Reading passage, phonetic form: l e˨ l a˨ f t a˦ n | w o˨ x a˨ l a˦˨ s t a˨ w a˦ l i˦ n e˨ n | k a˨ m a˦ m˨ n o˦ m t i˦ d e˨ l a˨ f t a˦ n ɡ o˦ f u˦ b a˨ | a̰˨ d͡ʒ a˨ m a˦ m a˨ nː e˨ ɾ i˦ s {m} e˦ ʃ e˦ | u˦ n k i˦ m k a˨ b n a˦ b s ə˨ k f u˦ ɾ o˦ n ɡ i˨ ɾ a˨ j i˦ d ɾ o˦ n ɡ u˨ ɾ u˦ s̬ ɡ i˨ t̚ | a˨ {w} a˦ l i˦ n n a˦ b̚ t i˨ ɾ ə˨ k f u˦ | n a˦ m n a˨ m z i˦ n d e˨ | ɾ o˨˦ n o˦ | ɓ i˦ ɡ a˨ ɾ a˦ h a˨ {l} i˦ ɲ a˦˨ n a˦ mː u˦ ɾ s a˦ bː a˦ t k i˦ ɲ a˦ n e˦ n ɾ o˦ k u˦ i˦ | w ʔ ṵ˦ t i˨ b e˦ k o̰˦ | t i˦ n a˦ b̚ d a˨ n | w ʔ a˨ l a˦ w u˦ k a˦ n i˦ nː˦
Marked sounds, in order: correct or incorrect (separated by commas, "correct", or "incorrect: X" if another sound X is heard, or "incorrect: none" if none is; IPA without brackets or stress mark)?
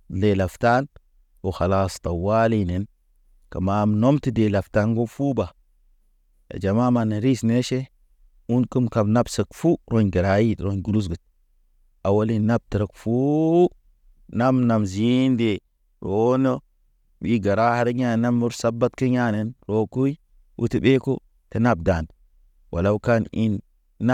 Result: incorrect: n, correct, incorrect: ɾ